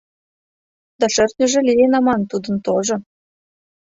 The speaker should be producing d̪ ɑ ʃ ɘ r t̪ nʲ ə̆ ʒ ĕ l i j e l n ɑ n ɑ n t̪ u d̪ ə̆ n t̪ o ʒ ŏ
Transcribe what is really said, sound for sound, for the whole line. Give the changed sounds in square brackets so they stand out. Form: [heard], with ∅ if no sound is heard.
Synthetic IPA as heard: d̪ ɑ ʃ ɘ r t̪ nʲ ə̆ ʒ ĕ l i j e [∅] n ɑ [m] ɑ n t̪ u d̪ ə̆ n t̪ o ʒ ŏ